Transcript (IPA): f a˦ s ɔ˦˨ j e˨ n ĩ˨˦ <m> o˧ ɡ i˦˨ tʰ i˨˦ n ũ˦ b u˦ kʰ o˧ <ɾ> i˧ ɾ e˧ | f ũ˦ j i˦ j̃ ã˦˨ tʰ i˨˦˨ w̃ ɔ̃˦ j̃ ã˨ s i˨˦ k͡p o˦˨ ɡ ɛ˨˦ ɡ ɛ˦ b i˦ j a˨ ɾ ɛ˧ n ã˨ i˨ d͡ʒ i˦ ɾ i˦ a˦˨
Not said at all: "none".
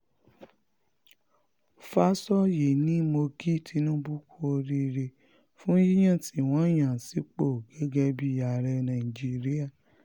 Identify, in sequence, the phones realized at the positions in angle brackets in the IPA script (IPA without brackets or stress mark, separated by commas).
m, ɾ